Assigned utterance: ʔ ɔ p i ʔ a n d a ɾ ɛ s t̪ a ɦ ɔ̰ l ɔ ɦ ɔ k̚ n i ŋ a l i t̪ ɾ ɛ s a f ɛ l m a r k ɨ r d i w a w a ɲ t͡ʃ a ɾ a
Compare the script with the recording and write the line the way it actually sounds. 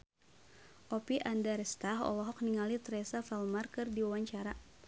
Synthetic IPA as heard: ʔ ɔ p i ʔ a n d a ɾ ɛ s t̪ a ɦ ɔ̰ l ɔ ɦ ɔ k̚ n i ŋ a l i t̪ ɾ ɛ s a f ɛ l m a r k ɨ r d i w a w a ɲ t͡ʃ a ɾ a